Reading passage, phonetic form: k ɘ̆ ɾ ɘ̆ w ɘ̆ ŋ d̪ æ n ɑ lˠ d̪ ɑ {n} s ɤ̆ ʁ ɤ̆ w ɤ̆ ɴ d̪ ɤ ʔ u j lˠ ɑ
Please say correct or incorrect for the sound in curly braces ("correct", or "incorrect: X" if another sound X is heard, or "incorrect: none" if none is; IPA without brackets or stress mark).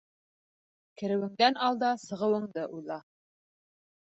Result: incorrect: none